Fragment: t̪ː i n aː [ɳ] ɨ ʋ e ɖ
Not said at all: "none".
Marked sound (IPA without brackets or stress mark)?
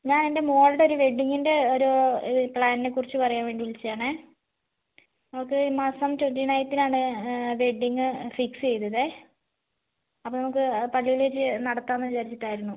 ɳ